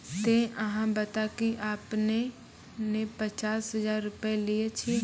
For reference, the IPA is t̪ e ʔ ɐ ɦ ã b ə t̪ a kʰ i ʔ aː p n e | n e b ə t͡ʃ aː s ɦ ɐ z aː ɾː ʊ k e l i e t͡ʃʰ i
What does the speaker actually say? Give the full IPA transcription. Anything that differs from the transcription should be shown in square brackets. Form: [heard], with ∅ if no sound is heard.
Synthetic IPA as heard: t̪ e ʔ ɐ ɦ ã b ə t̪ a [k] i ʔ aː p n e | n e [p] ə t͡ʃ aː s ɦ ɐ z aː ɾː ʊ [p] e l i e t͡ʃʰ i